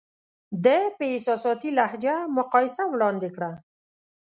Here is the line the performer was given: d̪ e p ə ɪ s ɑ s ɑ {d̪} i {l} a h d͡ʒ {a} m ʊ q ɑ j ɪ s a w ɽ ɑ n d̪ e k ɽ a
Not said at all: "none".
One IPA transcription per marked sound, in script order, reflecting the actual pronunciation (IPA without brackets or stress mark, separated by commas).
t̪, l, a